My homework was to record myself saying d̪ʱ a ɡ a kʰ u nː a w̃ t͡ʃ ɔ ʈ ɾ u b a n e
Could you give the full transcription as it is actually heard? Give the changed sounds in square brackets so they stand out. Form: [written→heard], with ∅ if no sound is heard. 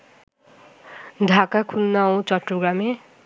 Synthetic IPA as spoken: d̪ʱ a [ɡ→k] a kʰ u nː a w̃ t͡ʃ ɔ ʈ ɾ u [b→ɡ] a [n→m] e